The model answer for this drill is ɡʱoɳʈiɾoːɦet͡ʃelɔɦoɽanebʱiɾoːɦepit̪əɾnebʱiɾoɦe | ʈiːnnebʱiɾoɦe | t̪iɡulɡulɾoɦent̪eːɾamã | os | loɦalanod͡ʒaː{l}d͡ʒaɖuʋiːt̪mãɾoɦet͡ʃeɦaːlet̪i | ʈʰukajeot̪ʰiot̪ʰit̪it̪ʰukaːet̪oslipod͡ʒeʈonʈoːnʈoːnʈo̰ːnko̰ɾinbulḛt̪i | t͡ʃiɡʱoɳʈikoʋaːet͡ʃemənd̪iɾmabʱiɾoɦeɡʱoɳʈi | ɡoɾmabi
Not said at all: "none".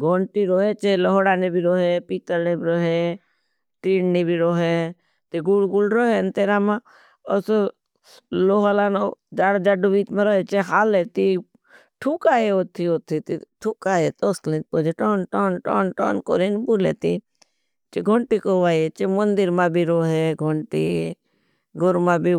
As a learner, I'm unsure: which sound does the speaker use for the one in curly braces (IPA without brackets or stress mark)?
ɽ